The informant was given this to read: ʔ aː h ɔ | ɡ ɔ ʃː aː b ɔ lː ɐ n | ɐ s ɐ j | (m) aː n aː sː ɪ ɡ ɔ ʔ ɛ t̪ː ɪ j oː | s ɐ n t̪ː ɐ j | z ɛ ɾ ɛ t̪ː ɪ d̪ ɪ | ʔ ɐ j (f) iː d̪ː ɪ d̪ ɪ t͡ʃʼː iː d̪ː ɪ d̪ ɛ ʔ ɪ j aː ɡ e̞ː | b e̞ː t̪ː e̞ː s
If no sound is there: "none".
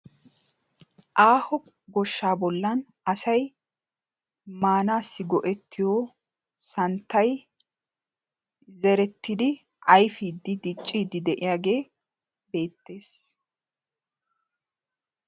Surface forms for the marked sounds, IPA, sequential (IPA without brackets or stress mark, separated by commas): m, f